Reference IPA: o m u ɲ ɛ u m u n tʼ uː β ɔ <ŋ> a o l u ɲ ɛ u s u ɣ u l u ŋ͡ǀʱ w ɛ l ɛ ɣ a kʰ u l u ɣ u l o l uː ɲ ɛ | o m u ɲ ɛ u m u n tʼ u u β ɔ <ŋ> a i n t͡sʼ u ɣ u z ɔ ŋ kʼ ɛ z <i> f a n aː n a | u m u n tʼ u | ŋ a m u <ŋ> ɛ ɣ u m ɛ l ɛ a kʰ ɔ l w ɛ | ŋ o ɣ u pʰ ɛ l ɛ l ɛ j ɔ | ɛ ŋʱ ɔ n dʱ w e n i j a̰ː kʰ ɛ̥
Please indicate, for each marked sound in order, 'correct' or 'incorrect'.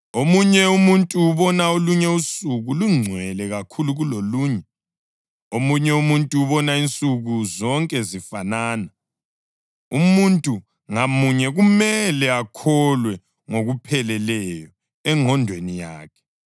incorrect: n, incorrect: n, correct, incorrect: ɲ

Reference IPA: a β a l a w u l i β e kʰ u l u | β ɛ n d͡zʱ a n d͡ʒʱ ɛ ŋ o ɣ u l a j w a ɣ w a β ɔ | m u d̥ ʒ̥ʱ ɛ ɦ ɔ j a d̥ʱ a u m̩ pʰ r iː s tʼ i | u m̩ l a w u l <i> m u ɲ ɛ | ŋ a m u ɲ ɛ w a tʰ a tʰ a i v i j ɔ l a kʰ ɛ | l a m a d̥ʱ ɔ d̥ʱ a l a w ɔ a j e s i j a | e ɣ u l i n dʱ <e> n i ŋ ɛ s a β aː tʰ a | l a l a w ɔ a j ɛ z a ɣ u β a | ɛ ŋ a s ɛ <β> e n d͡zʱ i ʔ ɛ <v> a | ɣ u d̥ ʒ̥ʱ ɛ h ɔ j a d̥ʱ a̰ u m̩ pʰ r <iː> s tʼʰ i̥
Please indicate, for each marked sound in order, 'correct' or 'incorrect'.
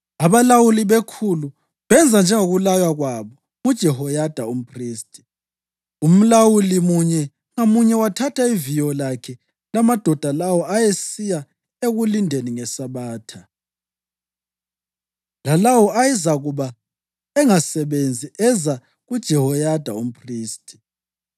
correct, correct, correct, incorrect: z, correct

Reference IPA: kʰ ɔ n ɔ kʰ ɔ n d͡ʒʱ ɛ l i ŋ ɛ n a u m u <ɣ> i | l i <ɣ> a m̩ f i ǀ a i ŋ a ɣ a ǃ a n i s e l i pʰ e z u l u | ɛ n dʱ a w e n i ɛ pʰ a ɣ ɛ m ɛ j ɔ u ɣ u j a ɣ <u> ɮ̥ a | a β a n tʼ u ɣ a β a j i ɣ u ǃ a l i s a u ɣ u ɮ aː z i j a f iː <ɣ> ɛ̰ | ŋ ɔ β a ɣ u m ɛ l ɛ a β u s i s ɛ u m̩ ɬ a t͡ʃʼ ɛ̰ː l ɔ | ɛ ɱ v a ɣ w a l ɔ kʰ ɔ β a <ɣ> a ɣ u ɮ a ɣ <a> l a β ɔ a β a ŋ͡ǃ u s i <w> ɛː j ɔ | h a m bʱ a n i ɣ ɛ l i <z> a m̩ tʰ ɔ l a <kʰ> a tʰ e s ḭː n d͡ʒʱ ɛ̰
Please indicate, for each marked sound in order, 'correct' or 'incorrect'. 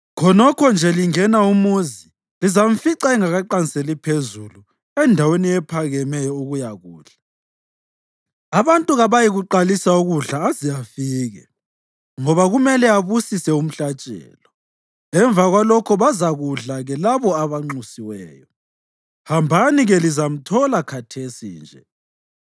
incorrect: z, incorrect: z, incorrect: uː, correct, incorrect: z, incorrect: ɛ, correct, correct, correct

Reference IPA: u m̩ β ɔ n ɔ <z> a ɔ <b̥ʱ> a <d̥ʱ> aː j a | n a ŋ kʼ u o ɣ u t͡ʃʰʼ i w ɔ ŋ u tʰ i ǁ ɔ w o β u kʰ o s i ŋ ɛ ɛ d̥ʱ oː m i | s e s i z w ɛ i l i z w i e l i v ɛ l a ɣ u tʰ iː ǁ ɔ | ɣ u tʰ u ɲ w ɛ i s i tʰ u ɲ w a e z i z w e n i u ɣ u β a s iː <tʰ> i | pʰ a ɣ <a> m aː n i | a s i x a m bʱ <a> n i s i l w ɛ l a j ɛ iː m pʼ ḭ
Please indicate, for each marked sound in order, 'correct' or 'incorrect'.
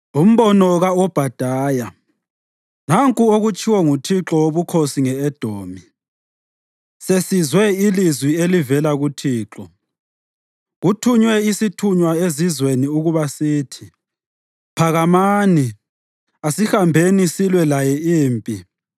incorrect: ɣ, correct, correct, correct, correct, incorrect: e

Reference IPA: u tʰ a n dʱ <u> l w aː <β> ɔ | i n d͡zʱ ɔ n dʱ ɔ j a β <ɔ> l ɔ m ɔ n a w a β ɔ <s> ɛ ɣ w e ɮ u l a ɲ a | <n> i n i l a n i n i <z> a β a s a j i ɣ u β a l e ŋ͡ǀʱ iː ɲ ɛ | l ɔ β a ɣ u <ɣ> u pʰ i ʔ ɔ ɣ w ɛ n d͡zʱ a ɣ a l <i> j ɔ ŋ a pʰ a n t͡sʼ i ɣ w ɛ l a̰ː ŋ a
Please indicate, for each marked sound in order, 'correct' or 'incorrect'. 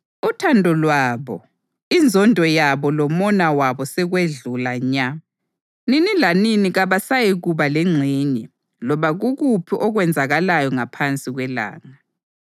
incorrect: ɔ, correct, correct, correct, correct, incorrect: ɣ, correct, incorrect: a

